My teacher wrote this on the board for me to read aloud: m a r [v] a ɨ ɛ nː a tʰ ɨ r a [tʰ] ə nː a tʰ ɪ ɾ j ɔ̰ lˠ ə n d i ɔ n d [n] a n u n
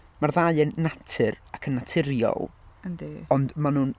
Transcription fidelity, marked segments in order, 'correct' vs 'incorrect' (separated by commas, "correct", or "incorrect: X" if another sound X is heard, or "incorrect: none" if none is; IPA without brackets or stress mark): incorrect: ð, incorrect: kʰ, incorrect: m